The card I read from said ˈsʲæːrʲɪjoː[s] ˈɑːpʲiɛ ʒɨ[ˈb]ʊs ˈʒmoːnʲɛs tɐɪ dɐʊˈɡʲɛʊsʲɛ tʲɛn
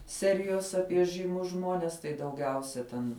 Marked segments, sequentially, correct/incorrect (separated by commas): correct, incorrect